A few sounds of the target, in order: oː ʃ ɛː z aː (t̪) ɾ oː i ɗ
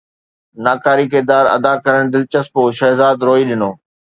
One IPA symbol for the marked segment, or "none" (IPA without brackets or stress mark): d̪